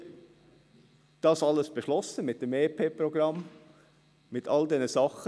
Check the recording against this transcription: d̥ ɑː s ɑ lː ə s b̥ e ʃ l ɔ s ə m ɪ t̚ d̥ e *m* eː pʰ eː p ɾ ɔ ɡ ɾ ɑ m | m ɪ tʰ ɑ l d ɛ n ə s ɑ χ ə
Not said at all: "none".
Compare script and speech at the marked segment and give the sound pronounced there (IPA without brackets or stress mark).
m